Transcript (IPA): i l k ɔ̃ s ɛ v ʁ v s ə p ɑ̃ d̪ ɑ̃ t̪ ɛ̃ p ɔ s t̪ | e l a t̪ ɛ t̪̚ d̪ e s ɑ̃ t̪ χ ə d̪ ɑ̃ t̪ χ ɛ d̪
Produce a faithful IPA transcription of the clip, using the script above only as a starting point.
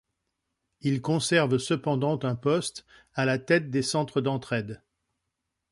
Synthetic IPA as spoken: i l k ɔ̃ s ɛ ʁ v s ə p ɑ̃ d̪ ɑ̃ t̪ ɛ̃ p ɔ s t̪ | a l a t̪ ɛ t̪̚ d̪ e s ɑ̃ t̪ χ ə d̪ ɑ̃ t̪ χ ɛ d̪